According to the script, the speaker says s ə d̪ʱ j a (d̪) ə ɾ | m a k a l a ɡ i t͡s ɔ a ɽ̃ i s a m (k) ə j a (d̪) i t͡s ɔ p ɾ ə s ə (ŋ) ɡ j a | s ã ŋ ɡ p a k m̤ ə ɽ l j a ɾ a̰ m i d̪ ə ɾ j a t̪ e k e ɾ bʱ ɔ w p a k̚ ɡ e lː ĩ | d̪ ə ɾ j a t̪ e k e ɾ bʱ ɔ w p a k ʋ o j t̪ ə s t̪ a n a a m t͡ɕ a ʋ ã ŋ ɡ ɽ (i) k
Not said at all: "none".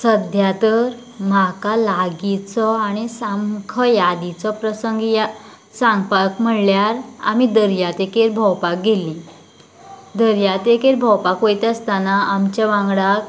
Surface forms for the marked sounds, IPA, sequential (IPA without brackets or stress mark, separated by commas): t̪, kʰ, d̪, ŋ, a